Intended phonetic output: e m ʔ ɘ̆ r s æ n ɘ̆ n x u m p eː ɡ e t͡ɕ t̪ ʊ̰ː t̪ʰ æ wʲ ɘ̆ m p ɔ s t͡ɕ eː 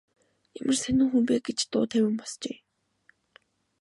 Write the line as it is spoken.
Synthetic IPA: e m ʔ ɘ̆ r s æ n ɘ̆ ŋ x u m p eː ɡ e t͡ɕ t̪ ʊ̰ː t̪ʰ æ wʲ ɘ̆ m p ɔ s t͡ɕ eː